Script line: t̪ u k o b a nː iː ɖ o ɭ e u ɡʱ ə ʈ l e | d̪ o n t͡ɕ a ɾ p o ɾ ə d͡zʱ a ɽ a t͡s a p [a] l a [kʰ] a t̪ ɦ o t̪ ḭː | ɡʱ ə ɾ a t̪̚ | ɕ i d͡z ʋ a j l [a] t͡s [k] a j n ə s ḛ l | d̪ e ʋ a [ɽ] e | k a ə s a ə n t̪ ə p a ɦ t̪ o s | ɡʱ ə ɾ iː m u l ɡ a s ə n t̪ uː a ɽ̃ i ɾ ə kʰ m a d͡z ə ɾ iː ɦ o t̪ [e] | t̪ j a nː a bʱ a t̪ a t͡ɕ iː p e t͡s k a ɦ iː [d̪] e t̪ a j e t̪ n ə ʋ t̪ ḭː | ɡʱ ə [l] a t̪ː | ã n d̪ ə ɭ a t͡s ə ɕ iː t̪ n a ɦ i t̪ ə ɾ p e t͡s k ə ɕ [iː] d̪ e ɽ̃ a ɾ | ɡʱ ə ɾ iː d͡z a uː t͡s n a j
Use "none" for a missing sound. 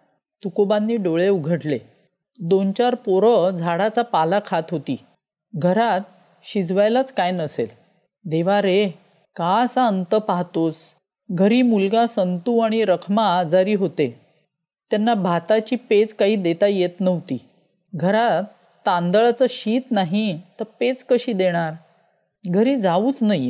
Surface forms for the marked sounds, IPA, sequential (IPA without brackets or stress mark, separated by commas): a, kʰ, a, k, ɾ, e, d̪, ɾ, iː